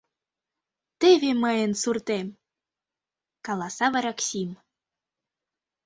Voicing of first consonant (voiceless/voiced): voiceless